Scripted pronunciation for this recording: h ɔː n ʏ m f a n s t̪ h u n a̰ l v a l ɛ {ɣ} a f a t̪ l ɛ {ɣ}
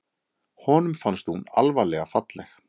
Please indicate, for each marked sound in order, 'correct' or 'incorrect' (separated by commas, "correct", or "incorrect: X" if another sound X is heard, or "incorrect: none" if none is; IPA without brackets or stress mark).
correct, incorrect: x